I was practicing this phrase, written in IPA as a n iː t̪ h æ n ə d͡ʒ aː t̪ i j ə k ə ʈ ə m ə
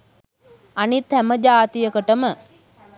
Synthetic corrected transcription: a n i t̪ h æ m ə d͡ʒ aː t̪ i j ə k ə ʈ ə m ə